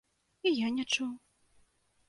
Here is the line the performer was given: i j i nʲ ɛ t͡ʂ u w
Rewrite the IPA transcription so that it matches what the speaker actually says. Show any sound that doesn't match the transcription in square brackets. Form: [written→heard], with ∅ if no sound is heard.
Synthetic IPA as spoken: i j [i→a] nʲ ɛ t͡ʂ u w

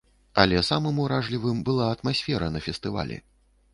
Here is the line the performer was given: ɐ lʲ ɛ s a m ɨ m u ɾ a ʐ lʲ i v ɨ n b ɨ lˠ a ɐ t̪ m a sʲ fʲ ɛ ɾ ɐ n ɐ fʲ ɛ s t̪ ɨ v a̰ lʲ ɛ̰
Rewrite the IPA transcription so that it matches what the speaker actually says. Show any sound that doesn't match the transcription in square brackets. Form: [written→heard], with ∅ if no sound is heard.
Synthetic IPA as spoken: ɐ lʲ ɛ s a m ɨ m u ɾ a ʐ lʲ i v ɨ [n→m] b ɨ lˠ a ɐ t̪ m a sʲ fʲ ɛ ɾ ɐ n ɐ fʲ ɛ s t̪ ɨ v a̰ lʲ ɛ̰

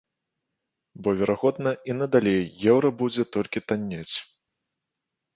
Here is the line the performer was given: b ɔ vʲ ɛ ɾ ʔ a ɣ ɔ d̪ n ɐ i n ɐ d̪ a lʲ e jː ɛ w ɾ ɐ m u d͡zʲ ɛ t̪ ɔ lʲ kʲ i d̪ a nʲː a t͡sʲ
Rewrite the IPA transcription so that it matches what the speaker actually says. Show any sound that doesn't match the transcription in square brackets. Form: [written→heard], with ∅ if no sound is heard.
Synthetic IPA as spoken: b ɔ vʲ ɛ ɾ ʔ a ɣ ɔ d̪ n ɐ i n ɐ d̪ a lʲ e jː ɛ w ɾ ɐ [m→b] u d͡zʲ ɛ t̪ ɔ lʲ kʲ i [d̪→t̪] a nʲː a t͡sʲ

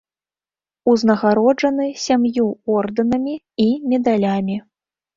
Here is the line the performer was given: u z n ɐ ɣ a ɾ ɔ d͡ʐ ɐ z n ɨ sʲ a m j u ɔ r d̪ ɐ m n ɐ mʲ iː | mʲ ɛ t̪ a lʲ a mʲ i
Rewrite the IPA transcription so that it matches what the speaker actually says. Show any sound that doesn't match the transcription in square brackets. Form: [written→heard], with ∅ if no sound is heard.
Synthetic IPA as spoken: u z n ɐ ɣ a ɾ ɔ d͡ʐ ɐ [z→∅] n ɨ sʲ a m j u ɔ r d̪ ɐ [m→∅] n ɐ mʲ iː | mʲ ɛ [t̪→d̪] a lʲ a mʲ i

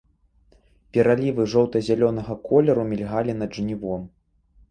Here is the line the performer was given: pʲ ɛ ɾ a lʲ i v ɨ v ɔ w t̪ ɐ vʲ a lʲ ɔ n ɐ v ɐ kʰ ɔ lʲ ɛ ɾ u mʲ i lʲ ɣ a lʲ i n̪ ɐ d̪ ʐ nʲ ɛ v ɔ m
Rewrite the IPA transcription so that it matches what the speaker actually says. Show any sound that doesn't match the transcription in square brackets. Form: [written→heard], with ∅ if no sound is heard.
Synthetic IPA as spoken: pʲ ɛ ɾ a lʲ i v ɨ [v→ʐ] ɔ w t̪ ɐ [vʲ→zʲ] a lʲ ɔ n ɐ [v→ɣ] ɐ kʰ ɔ lʲ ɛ ɾ u mʲ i lʲ ɣ a lʲ i n̪ ɐ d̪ ʐ nʲ [ɛ→i] v ɔ m

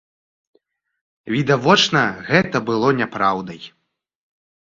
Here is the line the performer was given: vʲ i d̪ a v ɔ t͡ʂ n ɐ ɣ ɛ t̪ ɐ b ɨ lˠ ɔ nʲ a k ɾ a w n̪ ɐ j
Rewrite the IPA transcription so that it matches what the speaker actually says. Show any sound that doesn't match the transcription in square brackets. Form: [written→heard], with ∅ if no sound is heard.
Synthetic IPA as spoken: vʲ i d̪ a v ɔ t͡ʂ n ɐ ɣ ɛ t̪ ɐ b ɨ lˠ ɔ nʲ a [k→p] ɾ a w [n̪→d̪] ɐ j

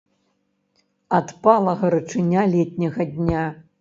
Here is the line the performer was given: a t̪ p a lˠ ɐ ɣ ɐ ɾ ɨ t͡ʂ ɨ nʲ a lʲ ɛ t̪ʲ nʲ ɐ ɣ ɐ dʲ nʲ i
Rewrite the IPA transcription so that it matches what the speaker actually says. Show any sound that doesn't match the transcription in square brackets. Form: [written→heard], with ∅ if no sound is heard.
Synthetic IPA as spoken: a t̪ p a lˠ ɐ ɣ ɐ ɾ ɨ t͡ʂ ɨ nʲ a lʲ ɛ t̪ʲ nʲ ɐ ɣ ɐ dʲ nʲ [i→a]

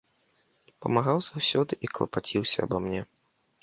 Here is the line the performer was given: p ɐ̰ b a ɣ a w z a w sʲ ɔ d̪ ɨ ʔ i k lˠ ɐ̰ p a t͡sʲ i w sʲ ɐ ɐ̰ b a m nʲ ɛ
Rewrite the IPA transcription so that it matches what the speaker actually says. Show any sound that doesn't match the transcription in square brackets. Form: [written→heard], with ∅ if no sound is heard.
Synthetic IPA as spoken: p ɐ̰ [b→m] a ɣ a w z a w sʲ ɔ d̪ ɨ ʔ i k lˠ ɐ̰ p a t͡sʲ i w sʲ ɐ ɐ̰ b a m nʲ ɛ

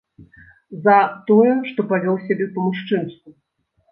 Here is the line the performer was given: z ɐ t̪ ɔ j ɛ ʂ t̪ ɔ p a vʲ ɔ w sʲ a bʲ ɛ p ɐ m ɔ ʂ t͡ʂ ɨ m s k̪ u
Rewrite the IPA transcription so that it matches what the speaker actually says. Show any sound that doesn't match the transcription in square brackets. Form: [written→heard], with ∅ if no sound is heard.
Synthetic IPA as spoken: z ɐ t̪ ɔ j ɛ ʂ t̪ ɔ p a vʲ ɔ w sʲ a bʲ ɛ p ɐ m [ɔ→u] ʂ t͡ʂ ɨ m s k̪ u

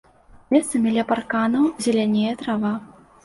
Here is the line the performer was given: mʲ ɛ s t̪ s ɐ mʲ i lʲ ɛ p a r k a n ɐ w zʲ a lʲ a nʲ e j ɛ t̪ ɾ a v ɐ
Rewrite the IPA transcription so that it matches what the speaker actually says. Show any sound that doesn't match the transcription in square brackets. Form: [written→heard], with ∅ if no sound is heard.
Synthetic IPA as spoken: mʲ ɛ s t̪ s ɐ mʲ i lʲ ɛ p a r k a n ɐ w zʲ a lʲ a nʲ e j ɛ t̪ ɾ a v [ɐ→a]

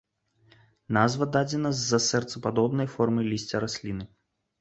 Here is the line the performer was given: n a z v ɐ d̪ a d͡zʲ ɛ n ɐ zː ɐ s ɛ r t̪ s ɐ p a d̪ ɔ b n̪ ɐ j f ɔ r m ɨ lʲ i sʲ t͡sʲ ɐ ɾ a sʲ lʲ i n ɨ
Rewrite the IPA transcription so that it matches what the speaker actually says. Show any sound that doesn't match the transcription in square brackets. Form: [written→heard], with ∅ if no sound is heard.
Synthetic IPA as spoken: n a z v ɐ d̪ a d͡zʲ ɛ n ɐ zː ɐ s ɛ r t̪ s ɐ p a d̪ ɔ b n̪ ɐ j f ɔ r m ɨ lʲ i sʲ t͡sʲ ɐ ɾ a sʲ lʲ i n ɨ

